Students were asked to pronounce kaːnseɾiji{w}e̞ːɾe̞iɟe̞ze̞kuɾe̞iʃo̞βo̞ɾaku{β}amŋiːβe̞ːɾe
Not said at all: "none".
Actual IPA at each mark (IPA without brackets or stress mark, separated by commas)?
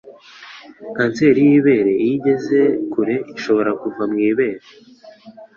β, v